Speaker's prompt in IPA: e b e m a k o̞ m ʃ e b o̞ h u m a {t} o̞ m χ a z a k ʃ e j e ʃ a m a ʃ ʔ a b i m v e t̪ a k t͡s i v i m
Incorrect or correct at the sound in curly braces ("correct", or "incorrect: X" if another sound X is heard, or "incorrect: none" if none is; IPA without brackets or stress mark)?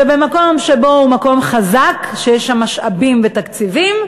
incorrect: k